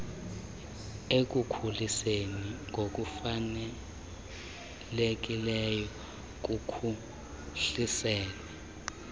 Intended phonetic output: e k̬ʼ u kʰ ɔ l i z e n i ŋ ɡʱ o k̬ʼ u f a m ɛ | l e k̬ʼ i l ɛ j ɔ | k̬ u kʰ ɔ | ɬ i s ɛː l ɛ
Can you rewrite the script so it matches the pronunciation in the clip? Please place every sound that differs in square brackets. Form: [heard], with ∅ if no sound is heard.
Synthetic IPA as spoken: e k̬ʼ u kʰ [u] l i [s] e n i ŋ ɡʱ o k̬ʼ u f a [n] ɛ | l e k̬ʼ i l ɛ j ɔ | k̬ u kʰ [u] | ɬ i s ɛː l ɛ